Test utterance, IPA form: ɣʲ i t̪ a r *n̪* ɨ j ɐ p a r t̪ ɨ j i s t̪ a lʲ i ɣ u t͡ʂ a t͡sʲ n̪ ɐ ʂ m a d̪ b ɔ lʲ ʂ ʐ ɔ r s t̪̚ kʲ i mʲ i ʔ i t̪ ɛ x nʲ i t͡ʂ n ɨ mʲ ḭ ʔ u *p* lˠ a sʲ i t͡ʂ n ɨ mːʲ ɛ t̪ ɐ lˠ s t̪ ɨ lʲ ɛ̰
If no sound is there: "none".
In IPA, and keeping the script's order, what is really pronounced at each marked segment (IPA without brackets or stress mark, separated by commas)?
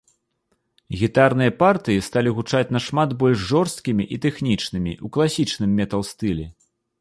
n̪, k